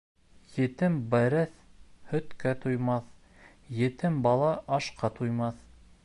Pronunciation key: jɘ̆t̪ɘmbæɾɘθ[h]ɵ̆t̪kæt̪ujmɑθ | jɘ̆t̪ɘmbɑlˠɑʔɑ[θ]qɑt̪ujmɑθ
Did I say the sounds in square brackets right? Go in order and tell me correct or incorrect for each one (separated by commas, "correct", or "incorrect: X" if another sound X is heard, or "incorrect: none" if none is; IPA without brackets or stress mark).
correct, incorrect: ʃ